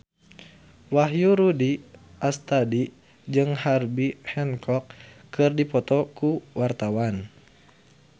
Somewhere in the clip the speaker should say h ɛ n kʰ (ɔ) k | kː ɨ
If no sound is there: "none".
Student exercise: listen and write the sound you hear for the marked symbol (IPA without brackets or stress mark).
ɔ